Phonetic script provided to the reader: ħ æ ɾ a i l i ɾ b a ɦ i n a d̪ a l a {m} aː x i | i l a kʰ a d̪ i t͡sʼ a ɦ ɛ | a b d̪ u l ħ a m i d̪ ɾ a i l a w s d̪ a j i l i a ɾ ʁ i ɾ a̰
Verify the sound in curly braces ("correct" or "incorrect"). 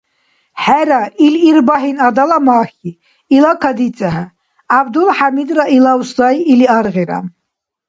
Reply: correct